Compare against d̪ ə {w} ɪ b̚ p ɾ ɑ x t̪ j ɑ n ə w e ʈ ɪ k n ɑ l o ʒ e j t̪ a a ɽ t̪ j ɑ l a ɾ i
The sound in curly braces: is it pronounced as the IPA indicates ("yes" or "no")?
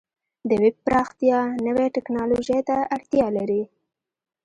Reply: yes